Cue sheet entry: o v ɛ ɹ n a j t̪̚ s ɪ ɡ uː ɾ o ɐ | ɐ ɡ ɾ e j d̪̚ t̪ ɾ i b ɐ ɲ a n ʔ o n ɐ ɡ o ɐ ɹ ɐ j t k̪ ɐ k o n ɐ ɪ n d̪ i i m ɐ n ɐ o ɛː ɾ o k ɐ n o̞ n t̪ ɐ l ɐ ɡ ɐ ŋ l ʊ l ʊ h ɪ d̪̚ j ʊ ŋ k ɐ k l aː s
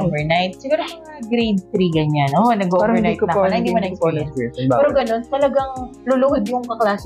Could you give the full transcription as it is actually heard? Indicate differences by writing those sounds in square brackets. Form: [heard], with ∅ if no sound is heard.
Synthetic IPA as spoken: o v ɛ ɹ n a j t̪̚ s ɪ ɡ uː ɾ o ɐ | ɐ ɡ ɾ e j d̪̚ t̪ ɾ i [ɡ] ɐ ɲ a n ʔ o n ɐ ɡ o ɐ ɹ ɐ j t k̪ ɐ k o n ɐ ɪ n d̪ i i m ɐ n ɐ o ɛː ɾ o [ɡ] ɐ n o̞ n t̪ ɐ l ɐ ɡ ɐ ŋ l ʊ l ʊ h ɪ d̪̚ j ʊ ŋ k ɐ k l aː s